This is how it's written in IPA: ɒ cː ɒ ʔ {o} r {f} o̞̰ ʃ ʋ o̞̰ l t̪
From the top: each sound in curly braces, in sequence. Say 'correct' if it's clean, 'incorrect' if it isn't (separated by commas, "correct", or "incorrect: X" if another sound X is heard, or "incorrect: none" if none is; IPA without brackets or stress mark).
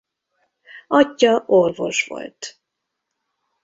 correct, incorrect: v